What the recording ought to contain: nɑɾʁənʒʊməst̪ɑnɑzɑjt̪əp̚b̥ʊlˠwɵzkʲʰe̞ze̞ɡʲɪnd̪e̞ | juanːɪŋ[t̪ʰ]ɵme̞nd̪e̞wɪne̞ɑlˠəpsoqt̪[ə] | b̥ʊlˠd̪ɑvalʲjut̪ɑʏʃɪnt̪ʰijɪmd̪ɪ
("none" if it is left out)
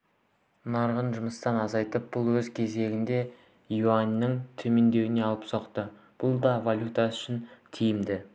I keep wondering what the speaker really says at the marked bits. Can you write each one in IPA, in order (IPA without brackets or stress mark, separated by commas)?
t̪ʰ, ə